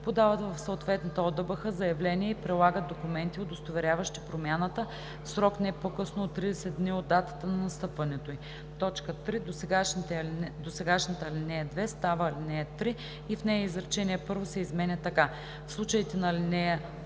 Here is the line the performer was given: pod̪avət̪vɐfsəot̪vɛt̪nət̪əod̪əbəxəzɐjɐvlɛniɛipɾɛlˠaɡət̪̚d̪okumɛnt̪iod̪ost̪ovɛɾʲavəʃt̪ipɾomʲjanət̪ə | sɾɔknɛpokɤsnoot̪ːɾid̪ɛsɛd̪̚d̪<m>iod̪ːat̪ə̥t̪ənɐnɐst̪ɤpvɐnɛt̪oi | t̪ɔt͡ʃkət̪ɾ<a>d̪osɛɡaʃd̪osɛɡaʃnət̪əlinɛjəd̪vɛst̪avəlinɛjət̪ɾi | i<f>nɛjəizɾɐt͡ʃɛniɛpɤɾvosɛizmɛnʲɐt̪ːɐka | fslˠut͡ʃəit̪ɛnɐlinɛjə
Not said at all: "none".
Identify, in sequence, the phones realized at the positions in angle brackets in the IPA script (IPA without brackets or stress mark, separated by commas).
n, i, f